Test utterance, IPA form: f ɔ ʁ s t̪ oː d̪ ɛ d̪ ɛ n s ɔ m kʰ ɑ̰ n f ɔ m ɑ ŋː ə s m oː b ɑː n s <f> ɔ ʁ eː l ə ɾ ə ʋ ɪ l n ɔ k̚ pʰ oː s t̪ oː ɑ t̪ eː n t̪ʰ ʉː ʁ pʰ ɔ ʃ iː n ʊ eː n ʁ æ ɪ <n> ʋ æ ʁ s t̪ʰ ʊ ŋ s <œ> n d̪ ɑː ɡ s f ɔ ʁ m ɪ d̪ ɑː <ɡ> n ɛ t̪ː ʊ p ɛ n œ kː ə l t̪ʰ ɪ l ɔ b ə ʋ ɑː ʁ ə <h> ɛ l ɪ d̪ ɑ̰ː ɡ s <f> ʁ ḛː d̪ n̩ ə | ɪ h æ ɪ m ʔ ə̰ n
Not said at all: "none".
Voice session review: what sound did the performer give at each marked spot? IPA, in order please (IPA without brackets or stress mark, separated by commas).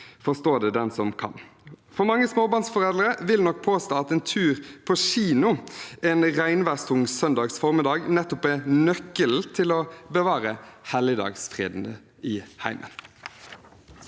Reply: f, n, œ, ɡ, h, f